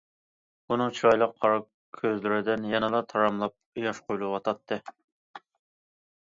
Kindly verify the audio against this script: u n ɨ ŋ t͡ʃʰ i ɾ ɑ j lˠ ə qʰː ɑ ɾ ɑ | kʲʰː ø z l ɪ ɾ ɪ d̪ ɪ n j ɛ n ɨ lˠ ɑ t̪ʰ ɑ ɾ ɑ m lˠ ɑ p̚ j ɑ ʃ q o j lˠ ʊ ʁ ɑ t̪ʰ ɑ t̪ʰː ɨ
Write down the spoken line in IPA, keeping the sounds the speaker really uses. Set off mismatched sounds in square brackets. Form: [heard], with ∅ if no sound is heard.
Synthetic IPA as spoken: u n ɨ ŋ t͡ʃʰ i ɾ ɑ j lˠ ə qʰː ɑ ɾ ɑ | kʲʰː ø z l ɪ ɾ ɪ d̪ ɪ n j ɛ n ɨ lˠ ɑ t̪ʰ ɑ ɾ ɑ m lˠ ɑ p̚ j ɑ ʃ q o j lˠ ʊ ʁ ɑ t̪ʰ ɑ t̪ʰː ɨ